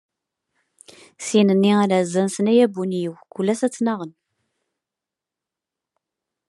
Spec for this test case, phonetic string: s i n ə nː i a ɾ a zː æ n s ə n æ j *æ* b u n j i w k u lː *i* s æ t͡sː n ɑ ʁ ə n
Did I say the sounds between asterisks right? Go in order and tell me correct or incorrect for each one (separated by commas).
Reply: correct, incorrect